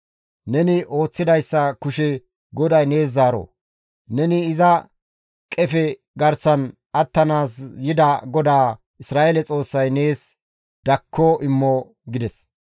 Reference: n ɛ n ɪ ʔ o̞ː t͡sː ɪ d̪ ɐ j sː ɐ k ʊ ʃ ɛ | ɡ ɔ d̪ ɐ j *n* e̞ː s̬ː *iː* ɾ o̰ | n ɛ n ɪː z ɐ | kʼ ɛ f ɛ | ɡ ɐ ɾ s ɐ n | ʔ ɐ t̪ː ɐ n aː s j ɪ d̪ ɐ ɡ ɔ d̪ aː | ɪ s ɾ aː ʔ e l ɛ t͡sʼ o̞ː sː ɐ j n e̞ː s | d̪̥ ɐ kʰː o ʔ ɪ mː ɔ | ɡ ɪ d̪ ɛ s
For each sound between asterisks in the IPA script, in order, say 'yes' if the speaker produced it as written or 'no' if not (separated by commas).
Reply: yes, no